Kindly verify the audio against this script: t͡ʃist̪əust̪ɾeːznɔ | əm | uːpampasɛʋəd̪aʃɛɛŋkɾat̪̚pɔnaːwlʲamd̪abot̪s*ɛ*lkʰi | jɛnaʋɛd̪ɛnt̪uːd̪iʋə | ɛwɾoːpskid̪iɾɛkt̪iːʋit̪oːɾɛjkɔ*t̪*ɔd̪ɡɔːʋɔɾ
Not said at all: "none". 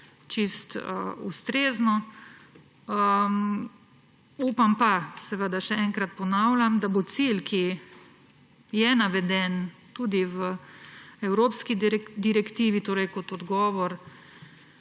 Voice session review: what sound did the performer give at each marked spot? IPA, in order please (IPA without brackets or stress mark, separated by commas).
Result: i, t̪